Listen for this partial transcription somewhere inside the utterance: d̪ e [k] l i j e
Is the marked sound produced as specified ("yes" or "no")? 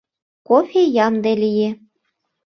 no